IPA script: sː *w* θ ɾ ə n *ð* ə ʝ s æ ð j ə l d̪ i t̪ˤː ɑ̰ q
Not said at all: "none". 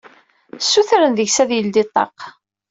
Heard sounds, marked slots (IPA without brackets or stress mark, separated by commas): u, ð